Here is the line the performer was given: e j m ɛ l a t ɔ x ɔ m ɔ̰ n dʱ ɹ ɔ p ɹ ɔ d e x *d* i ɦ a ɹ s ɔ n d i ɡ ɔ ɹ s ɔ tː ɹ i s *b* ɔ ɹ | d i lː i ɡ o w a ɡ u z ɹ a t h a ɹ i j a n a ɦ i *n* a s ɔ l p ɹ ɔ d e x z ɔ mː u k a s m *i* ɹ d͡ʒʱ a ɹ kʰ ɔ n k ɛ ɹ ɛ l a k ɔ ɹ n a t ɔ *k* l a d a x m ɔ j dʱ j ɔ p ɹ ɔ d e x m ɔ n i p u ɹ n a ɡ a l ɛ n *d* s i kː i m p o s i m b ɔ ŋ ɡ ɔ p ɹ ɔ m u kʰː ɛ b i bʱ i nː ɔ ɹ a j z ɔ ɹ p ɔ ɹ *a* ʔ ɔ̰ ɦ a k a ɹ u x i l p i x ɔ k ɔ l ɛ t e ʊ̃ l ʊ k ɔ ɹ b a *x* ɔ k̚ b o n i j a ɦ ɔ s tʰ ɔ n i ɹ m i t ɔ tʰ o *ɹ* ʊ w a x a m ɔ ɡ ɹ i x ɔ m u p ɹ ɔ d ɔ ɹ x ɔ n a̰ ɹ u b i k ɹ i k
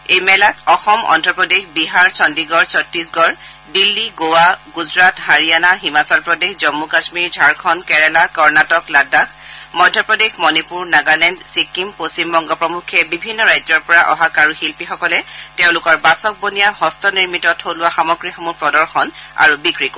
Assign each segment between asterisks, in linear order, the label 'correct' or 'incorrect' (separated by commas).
incorrect, incorrect, incorrect, correct, correct, correct, correct, incorrect, incorrect